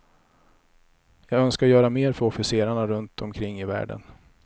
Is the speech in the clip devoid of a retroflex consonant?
no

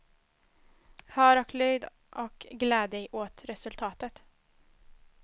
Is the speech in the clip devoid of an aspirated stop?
no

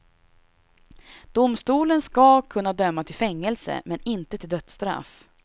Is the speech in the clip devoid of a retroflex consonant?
yes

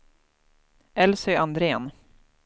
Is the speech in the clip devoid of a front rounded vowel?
no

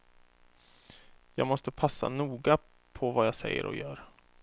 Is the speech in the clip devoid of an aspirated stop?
no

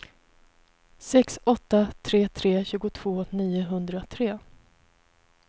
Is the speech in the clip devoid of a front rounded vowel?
yes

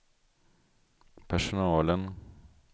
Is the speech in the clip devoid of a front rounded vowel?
yes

